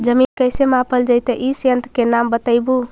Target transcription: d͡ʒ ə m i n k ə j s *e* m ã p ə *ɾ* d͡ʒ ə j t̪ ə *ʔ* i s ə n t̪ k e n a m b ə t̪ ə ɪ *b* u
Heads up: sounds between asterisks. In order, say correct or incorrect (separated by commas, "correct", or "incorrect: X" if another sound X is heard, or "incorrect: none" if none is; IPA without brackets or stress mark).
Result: correct, incorrect: l, correct, correct